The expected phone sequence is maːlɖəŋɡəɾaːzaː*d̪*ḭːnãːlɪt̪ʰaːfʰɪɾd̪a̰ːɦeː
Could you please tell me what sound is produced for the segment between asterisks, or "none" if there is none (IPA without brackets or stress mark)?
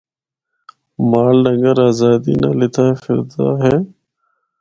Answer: d̪